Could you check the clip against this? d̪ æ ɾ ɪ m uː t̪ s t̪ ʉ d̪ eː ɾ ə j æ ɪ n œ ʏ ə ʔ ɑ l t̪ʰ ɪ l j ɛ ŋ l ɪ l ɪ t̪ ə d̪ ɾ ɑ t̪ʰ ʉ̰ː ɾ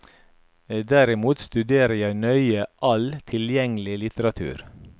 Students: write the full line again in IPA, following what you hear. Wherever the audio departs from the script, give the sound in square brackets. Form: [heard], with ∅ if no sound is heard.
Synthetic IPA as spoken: d̪ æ ɾ ɪ m uː t̪ s t̪ ʉ d̪ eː ɾ ə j æ ɪ n œ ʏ ə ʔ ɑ l t̪ʰ ɪ l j ɛ ŋ l ɪ l ɪ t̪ ə [∅] ɾ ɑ t̪ʰ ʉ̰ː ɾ